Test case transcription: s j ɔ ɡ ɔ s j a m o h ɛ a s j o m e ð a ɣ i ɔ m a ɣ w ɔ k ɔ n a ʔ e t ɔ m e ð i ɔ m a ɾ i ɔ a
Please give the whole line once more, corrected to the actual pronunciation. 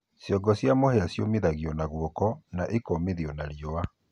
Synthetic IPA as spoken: s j ɔ ɡ ɔ s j a m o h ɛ a s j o m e ð a ɣ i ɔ n a ɣ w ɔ k ɔ n a ʔ e k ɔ m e ð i ɔ n a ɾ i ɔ a

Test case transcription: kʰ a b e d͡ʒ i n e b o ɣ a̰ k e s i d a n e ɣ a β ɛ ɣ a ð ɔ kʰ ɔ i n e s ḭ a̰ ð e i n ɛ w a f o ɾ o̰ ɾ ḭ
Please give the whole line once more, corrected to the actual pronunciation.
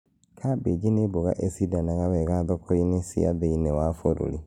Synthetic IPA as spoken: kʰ a b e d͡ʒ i n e b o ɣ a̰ ʔ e s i d a n a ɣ a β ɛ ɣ a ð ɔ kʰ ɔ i n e s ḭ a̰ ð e i n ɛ w a f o ɾ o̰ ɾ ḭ

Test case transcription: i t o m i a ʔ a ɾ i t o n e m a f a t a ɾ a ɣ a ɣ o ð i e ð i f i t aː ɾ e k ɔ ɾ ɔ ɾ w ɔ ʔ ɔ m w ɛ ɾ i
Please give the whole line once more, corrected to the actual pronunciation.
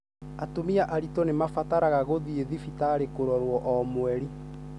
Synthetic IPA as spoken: a t o m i a ʔ a ɾ i t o n e m a f a t a ɾ a ɣ a ɣ o ð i e ð i f i t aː ɾ e k o ɾ ɔ ɾ w ɔ ʔ ɔ m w ɛ ɾ i

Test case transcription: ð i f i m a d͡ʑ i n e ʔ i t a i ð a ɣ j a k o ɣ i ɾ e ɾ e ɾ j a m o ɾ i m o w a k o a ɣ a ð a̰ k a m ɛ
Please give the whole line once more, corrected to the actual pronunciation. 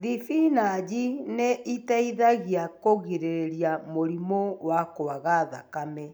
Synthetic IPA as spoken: ð i f i n a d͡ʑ i n e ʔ i t a i ð a ɣ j a k o ɣ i ɾ e ɾ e ɾ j a m o ɾ i m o w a k o a ɣ a ð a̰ k a m ɛ

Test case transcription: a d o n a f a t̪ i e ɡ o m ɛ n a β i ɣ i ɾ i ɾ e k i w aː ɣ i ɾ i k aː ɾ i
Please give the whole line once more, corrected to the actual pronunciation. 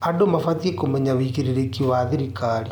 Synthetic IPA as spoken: a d o m a f a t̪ i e k o m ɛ ɲ a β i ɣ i ɾ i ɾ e k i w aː ð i ɾ i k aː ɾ i

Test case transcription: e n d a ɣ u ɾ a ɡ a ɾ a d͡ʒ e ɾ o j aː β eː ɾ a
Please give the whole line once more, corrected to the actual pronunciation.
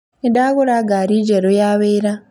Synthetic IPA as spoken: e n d a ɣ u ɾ a ɡ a ɾ i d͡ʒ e ɾ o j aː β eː ɾ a

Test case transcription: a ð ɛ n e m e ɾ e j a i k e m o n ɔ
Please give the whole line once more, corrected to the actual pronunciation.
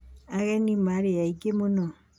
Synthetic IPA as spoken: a ɣ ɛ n i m a ɾ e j a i ɡ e m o n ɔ

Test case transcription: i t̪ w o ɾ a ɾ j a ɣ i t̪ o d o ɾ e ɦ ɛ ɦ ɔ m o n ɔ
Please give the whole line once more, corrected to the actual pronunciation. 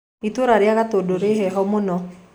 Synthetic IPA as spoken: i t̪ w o ɾ a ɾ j a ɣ a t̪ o d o ɾ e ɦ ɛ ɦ ɔ m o n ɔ

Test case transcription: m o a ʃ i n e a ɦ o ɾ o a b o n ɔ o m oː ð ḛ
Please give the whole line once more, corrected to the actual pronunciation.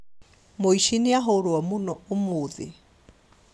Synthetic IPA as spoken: m o i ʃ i n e a ɦ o ɾ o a m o n ɔ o m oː ð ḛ

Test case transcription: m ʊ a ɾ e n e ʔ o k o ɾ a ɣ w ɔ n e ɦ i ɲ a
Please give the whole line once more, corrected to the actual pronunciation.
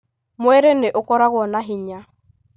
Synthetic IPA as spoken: m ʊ ɛ ɾ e n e ʔ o k ɔ ɾ a ɣ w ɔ n a ɦ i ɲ a

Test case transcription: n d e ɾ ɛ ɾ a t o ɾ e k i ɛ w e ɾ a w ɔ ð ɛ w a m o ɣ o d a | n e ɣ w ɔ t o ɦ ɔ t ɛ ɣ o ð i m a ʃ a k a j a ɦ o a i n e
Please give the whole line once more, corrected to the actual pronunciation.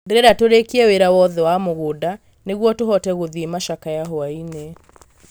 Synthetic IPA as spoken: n d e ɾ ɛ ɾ a t o ɾ e k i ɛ w e ɾ a w ɔ ð ɛ w a m o ɣ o d a | n e ɣ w ɔ t o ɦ ɔ t ɛ ɣ o ð i m a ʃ a k a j a ɦ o a i n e

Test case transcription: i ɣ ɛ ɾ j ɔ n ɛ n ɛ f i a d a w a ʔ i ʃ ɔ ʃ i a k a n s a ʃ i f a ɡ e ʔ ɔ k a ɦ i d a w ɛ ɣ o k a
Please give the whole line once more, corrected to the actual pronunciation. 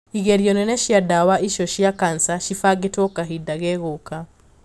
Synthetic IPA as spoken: i ɣ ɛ ɾ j ɔ n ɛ n ɛ ʃ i a d a w a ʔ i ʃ ɔ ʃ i a k a n s a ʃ i f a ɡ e t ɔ k a ɦ i d a ɣ ɛ ɣ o k a

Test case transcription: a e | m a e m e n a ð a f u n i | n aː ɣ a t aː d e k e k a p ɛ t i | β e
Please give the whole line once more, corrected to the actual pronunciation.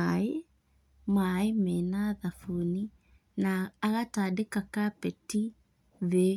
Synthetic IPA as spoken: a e | m a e m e n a ð a f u n i | n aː ɣ a t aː d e k a k a p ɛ t i | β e

